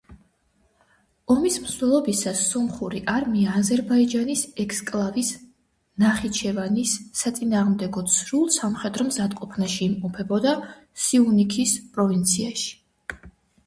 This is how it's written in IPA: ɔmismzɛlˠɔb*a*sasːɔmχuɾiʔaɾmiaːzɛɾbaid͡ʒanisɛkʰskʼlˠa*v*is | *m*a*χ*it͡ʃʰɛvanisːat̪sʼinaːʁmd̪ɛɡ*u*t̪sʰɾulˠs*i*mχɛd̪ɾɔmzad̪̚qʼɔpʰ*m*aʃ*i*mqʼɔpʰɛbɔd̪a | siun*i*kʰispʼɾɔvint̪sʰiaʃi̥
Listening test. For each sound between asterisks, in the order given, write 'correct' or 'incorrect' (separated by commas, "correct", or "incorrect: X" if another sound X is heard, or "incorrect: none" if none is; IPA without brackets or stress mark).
incorrect: i, correct, incorrect: n, correct, incorrect: ɔ, incorrect: a, incorrect: n, incorrect: iː, correct